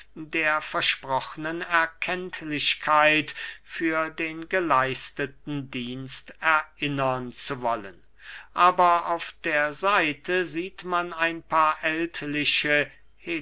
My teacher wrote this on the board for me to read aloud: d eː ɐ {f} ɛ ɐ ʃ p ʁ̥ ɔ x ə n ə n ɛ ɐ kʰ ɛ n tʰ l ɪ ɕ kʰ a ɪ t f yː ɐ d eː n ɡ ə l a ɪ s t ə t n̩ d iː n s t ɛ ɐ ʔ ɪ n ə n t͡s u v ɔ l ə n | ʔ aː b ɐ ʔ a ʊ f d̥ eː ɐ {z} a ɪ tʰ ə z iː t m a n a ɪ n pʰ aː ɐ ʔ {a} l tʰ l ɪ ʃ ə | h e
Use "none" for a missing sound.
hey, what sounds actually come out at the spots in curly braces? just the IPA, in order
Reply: f, z, ɛ

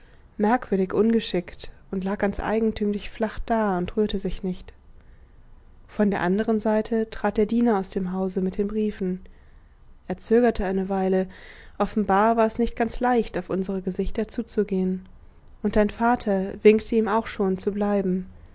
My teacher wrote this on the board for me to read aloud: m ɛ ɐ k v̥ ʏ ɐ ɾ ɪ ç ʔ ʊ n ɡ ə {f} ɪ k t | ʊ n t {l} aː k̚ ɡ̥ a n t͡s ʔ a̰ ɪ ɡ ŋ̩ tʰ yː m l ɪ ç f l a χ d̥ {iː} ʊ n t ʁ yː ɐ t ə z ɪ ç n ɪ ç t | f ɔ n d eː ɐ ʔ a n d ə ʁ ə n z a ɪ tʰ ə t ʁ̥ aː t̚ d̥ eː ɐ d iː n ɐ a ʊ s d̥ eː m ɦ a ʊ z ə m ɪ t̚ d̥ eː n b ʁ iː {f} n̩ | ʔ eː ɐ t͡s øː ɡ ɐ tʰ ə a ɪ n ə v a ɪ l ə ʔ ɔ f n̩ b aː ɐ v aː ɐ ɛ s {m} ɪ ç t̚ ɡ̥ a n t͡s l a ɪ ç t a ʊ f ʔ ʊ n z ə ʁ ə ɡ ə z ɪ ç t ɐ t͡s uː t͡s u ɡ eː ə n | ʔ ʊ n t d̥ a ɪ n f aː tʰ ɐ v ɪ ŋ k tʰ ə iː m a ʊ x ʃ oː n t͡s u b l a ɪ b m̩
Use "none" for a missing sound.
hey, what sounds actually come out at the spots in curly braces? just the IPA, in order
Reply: ʃ, l, aː, f, n

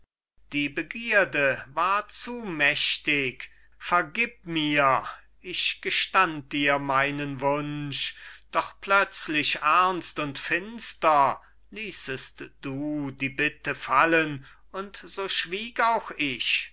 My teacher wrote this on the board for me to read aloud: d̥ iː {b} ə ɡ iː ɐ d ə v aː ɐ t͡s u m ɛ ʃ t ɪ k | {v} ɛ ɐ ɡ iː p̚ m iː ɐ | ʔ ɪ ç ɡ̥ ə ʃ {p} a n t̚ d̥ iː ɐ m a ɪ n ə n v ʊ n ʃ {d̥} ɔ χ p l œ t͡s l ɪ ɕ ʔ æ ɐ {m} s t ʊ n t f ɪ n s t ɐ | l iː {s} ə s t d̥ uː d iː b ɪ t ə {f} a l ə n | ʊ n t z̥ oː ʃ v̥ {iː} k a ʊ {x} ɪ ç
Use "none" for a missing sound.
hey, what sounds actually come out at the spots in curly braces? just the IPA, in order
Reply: b, f, t, d̥, n, s, f, iː, x

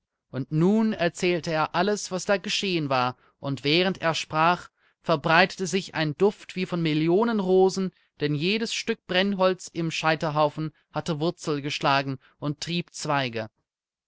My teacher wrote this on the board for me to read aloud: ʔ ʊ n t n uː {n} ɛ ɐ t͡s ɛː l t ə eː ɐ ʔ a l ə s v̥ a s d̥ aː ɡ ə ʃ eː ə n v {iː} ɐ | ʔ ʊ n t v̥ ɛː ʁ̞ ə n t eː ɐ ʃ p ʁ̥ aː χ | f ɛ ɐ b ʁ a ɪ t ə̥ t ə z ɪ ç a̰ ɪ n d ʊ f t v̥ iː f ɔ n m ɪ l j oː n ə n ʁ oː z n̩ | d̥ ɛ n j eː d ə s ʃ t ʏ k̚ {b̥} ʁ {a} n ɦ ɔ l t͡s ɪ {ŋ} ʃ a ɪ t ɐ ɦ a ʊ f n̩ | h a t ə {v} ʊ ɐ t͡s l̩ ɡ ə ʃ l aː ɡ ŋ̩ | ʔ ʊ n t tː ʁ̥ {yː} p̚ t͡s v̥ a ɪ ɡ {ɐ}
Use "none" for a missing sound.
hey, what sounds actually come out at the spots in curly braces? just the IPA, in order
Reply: n, aː, b̥, ɛ, m, v, iː, ə

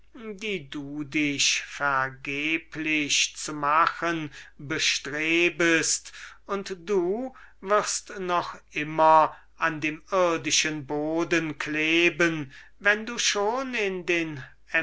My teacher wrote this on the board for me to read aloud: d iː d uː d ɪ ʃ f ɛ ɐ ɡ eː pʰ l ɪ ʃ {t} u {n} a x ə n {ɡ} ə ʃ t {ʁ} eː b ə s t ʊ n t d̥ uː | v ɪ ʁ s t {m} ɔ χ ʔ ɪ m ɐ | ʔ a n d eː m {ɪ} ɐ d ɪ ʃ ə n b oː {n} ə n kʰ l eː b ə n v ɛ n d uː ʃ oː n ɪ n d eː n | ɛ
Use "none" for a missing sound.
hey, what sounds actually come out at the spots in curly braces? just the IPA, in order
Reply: t͡s, m, b, ʁ, n, ɪ, d

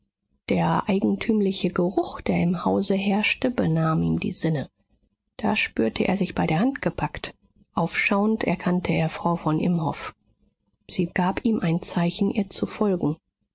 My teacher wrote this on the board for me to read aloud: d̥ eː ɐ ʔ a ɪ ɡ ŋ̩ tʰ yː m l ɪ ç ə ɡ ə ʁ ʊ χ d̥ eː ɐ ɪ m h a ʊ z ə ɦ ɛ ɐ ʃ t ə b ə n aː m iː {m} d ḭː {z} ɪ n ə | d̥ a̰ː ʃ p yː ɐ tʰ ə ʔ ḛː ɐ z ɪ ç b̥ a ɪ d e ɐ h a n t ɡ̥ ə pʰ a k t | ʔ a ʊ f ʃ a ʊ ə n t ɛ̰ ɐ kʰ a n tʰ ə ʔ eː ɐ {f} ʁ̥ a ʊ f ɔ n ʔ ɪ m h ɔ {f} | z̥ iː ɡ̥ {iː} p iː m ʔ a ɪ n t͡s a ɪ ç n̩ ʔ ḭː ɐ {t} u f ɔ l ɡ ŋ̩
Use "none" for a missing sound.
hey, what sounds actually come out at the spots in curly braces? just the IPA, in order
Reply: m, z, f, f, aː, t͡s

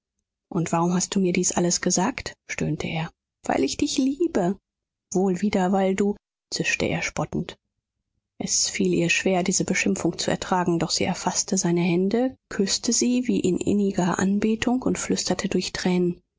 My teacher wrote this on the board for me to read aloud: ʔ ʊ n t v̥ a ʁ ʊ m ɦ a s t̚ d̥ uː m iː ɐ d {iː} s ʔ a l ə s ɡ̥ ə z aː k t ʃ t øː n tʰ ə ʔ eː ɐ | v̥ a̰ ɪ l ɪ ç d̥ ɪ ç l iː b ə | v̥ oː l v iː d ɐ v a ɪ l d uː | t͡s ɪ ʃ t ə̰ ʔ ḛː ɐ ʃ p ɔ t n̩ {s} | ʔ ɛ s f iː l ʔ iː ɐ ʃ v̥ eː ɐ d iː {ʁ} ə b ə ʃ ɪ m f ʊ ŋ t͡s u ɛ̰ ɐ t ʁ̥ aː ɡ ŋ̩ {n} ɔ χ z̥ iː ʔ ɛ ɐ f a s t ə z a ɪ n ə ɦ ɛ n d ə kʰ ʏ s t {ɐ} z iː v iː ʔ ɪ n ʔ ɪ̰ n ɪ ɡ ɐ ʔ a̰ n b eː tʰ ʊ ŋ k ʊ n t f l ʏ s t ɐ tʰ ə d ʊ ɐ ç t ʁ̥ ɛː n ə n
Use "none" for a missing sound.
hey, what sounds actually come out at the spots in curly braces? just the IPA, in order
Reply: iː, t, z, d, ə

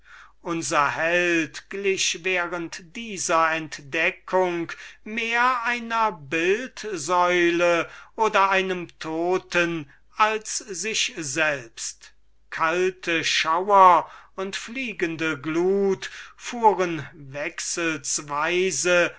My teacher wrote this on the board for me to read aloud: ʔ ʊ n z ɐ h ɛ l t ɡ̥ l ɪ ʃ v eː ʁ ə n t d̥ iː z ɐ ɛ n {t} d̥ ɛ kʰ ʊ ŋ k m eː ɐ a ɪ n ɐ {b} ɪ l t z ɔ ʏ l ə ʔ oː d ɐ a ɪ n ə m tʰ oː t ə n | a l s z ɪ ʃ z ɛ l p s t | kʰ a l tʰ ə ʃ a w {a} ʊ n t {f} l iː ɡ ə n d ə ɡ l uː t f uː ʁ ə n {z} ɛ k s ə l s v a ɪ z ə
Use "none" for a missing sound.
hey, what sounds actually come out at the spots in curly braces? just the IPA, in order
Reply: t, b, ɐ, f, v

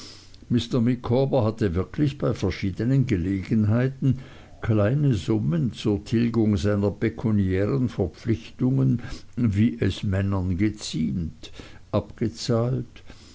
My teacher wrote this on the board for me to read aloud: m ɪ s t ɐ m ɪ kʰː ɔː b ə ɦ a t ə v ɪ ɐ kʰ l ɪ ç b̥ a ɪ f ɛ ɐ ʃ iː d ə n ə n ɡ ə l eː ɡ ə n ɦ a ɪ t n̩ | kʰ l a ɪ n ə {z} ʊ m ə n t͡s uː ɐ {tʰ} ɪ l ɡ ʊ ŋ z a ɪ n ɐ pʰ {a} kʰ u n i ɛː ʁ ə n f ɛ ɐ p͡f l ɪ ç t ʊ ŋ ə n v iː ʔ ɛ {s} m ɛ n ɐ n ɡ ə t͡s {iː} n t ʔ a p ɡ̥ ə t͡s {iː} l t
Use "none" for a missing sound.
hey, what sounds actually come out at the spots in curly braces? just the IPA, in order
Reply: z, tʰ, e, s, iː, aː

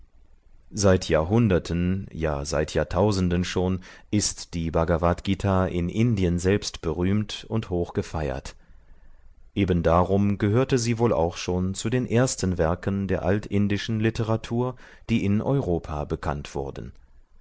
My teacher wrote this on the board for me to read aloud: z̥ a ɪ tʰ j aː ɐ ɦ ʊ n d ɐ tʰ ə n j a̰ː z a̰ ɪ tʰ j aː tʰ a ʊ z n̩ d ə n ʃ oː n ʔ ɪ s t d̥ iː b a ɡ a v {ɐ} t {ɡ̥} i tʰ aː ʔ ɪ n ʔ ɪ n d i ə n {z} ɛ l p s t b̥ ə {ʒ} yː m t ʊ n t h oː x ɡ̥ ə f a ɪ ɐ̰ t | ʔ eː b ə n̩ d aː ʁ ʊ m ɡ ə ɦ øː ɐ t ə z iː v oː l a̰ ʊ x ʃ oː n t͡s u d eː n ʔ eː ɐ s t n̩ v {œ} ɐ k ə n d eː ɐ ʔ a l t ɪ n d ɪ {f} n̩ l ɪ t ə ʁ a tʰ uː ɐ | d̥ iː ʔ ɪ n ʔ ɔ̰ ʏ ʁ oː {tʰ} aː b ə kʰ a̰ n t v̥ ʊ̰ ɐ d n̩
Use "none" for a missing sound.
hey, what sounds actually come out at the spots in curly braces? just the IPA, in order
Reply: a, ɡ̥, z, ʁ, ɛ, ʃ, pʰ

